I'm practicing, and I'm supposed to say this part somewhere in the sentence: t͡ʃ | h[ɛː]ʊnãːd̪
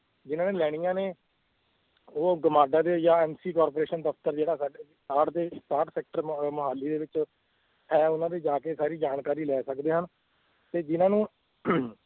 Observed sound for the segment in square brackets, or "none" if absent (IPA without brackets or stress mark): ɛː